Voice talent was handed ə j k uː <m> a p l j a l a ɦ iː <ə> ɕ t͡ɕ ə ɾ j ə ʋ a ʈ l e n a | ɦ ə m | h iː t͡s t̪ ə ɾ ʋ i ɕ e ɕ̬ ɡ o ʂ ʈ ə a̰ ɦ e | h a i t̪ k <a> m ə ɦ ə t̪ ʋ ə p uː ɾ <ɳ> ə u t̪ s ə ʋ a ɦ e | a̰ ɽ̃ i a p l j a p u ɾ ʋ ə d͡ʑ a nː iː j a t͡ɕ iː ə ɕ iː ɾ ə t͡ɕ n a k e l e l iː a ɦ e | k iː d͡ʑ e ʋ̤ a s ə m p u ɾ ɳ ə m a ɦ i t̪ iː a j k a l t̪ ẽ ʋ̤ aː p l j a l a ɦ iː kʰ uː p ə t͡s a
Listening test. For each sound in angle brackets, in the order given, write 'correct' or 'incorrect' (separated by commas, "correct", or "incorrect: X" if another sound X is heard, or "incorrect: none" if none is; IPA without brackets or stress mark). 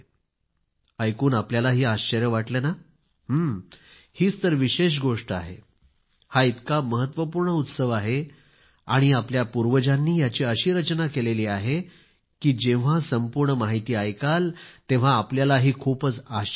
incorrect: n, incorrect: a, correct, correct